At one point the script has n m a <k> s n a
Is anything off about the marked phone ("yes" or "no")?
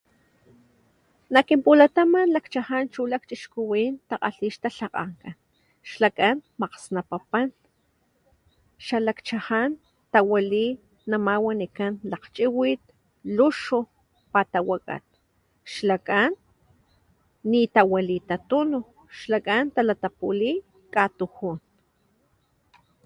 yes